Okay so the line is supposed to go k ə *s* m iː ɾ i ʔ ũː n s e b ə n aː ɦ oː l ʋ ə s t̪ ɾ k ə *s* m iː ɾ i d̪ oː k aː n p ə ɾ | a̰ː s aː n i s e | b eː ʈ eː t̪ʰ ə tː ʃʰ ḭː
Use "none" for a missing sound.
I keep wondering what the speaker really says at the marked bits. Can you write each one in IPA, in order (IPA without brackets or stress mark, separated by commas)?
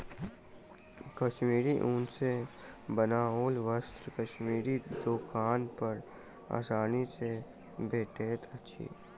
ʃ, ʃ